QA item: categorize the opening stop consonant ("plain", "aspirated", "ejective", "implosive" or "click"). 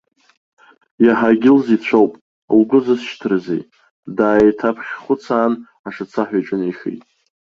plain